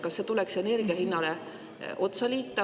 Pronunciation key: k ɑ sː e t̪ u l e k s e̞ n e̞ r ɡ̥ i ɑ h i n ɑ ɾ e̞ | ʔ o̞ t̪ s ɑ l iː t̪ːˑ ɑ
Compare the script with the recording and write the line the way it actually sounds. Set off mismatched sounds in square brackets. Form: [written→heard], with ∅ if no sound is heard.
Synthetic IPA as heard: k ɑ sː e t̪ u l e k s e̞ n e̞ r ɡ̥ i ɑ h i [n→nː] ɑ [ɾ→l] e̞ | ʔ o̞ t̪ s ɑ l iː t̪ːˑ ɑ

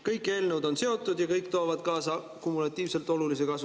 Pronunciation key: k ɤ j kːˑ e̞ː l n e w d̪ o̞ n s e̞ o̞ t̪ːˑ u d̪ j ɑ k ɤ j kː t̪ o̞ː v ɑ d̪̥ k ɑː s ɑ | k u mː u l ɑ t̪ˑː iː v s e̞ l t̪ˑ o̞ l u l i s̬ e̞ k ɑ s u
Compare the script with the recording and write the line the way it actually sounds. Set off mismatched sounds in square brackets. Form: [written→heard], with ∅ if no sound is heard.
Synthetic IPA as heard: k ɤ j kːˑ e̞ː l n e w d̪ o̞ n s e̞ o̞ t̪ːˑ u d̪ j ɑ k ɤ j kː t̪ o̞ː v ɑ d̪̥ k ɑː s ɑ | k u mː u l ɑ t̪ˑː iː v s e̞ l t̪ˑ o̞ l u l i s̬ e̞ k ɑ s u

